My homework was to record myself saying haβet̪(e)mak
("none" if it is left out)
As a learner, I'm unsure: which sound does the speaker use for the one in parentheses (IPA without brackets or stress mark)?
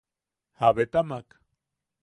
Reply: a